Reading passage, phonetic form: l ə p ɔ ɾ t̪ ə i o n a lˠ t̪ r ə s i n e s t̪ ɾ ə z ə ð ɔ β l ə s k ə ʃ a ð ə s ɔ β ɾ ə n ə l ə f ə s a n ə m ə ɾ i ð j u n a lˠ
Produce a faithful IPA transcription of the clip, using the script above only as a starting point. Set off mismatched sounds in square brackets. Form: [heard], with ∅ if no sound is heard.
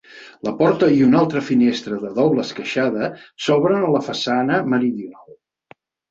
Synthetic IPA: l ə p ɔ ɾ t̪ ə i [u] n a lˠ t̪ [ɾ] ə [f] i n e s t̪ ɾ ə [ð] ə ð ɔ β l ə s k ə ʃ a ð ə s ɔ β ɾ ə n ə l ə f ə s a n ə m ə ɾ i ð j u n a lˠ

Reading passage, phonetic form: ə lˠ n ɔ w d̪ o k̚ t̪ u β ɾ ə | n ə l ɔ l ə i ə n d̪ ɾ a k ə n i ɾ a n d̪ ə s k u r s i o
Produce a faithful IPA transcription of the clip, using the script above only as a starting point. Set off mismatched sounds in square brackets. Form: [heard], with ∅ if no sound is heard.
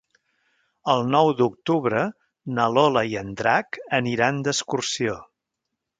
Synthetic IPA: ə lˠ n ɔ w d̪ [u] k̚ t̪ u β ɾ ə | n ə l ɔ l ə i ə n d̪ ɾ a k ə n i ɾ a n d̪ ə s k u r s i o

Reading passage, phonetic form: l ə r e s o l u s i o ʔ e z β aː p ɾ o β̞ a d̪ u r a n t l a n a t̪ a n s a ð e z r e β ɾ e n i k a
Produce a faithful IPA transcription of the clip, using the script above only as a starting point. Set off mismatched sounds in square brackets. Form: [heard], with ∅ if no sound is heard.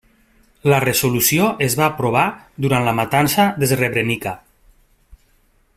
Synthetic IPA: l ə r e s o l u s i o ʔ e z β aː p ɾ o β̞ a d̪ u [ɾ] a n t l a [m] a t̪ a n s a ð e z r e β ɾ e n i k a

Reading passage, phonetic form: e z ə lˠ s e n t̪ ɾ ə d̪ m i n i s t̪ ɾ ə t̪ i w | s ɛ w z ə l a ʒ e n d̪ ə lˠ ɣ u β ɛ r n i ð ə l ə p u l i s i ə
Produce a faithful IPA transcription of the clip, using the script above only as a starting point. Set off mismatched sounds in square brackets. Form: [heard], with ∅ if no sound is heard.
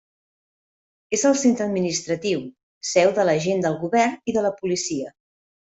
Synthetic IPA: e z ə lˠ s e n t̪ ɾ ə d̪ m i n i s t̪ ɾ ə t̪ i w | s ɛ w [ð] ə l [ə] ʒ e n d̪ ə lˠ ɣ u β ɛ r n i ð ə l ə p u l i s i ə

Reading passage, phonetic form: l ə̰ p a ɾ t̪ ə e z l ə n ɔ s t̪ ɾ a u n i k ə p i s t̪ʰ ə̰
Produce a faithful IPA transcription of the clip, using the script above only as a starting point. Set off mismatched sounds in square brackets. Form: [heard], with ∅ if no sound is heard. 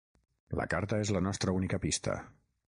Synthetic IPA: l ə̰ [k] a ɾ t̪ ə e z l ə n ɔ s t̪ ɾ [ə] u n i k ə p i s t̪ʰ ə̰

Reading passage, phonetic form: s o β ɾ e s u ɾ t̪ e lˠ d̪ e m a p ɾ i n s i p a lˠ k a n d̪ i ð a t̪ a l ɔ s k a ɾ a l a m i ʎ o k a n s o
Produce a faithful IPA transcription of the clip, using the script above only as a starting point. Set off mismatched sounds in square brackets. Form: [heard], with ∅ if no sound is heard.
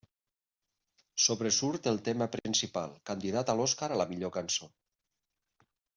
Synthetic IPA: s o β ɾ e s u ɾ t̪ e lˠ [t̪] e m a p ɾ i n s i p a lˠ k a n d̪ i ð a t̪ a l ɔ s k a ɾ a l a m i ʎ o k a n s o

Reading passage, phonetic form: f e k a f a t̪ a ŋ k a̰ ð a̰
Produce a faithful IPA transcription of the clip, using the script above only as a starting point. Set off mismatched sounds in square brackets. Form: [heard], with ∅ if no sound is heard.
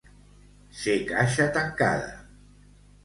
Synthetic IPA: [s] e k a [ʃ] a t̪ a ŋ k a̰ ð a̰

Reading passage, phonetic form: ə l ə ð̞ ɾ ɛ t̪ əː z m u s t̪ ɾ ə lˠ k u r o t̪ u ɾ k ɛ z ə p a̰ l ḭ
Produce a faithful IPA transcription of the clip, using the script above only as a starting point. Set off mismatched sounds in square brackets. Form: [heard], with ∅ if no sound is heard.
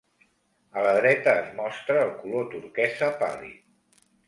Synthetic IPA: ə l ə ð̞ ɾ ɛ t̪ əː z m [ɔ] s t̪ ɾ [əː] lˠ k u [l] o t̪ u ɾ k ɛ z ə p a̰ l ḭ

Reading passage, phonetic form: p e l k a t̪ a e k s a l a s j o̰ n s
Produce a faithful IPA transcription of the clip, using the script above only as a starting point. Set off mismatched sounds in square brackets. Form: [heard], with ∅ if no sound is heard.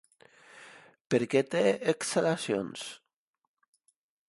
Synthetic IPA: p e [ɾ] k [e] t̪ [e] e k s a l a s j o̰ n s

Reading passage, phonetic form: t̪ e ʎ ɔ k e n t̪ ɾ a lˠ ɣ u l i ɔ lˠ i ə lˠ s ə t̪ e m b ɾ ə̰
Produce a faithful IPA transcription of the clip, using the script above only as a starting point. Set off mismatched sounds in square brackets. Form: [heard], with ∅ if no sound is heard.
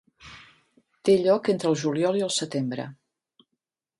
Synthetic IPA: t̪ e ʎ ɔ k e n t̪ ɾ [ə] lˠ [ʒ] u l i ɔ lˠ i ə lˠ s ə t̪ e m b ɾ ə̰

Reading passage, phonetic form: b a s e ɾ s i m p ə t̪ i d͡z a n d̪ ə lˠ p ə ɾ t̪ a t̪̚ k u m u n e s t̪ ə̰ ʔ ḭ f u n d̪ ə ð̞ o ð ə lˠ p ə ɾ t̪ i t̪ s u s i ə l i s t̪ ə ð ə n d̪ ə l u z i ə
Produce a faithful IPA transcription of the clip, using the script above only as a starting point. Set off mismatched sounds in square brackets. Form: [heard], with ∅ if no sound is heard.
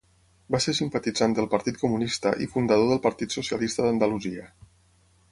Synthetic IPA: b a s e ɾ s i m p ə t̪ i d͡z a n d̪ ə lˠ p ə ɾ t̪ [i] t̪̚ k u m u n [i] s t̪ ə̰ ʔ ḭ f u n d̪ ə ð̞ o ð ə lˠ p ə ɾ t̪ i t̪ s u s i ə l i s t̪ ə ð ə n d̪ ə l u z i ə

